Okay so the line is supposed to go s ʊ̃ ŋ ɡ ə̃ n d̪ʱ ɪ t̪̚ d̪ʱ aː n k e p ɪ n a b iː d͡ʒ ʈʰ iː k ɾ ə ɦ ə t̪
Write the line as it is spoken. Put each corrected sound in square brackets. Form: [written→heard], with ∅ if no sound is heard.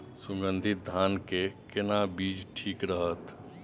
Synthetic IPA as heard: s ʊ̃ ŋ ɡ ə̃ n d̪ʱ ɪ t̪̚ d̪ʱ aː n k e [p→k] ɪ n a b iː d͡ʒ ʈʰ iː k ɾ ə ɦ ə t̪